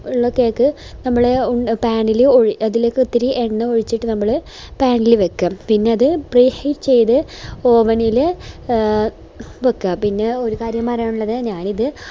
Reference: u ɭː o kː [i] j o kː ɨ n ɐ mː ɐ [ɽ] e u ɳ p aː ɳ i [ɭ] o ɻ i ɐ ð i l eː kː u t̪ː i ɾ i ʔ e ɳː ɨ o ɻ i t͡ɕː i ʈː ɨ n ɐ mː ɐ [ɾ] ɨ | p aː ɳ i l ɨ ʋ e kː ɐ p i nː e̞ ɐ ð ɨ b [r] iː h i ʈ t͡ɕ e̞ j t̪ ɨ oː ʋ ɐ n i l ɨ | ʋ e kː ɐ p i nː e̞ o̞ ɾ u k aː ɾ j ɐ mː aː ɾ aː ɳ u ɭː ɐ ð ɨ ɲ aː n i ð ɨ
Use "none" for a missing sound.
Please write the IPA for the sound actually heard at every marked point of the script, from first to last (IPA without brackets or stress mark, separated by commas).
e, ɭ, l, ɭ, r